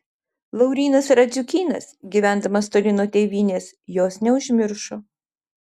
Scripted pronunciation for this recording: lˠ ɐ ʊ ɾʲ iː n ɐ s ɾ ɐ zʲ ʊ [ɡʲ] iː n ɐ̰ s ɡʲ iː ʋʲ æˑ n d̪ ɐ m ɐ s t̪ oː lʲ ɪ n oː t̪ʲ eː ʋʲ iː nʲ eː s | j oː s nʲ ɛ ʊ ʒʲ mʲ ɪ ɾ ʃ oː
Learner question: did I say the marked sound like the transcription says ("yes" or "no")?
no